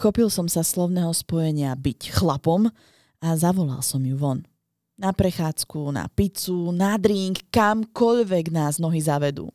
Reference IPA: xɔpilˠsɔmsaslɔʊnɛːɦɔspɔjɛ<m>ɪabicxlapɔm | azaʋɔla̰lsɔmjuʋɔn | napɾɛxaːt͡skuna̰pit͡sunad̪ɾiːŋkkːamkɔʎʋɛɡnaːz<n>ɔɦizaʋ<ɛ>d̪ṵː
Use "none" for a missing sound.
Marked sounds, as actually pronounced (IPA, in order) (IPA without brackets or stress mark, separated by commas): ɲ, n, ɛ